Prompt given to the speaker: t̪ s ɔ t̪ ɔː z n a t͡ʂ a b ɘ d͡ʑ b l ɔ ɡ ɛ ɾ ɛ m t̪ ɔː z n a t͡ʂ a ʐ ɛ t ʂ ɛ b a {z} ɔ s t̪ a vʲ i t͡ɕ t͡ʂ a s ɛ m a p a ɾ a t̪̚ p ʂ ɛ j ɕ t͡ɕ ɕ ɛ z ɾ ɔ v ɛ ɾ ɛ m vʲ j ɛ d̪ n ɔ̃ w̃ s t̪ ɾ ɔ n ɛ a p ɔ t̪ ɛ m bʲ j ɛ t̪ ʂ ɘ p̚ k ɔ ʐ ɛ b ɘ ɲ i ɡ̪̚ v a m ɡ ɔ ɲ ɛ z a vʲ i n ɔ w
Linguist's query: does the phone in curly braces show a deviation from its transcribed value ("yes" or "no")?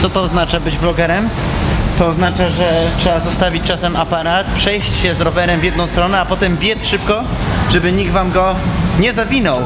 no